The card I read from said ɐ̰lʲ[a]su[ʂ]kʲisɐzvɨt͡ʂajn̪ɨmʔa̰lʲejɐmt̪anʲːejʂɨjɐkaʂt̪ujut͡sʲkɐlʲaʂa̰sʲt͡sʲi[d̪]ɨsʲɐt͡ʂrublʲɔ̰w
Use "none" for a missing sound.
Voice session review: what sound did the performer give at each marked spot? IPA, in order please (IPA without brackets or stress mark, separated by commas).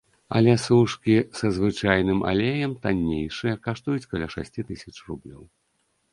ɛ, ʂ, t̪